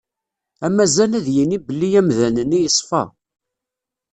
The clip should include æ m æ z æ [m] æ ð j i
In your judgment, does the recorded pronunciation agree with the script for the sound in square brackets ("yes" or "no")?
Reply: no